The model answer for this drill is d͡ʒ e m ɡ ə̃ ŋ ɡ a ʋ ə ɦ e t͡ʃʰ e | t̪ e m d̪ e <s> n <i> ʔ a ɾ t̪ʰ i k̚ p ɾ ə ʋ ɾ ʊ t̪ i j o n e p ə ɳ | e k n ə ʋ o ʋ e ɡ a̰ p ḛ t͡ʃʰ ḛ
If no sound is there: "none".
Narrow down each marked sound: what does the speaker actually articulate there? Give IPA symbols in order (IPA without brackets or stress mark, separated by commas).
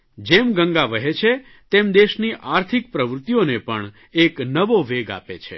ʃ, i